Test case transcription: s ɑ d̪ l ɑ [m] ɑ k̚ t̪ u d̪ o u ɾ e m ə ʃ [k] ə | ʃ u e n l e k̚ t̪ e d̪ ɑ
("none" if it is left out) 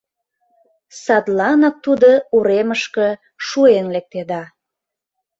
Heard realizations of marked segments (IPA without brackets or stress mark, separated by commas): n, k